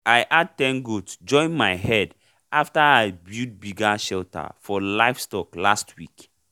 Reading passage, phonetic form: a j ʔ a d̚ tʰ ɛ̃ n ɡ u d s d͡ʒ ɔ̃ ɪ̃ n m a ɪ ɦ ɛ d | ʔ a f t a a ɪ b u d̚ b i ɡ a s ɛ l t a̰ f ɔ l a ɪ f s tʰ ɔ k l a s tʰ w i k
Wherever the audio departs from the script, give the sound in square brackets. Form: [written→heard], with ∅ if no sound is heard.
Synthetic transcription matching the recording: a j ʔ a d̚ [tʰ→t] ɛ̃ n ɡ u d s d͡ʒ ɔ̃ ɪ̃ n m a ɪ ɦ ɛ d | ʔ a f t a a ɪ b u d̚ b i ɡ a [s→ʃ] ɛ l t a̰ f ɔ l a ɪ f s [tʰ→t] ɔ k l a s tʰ w i k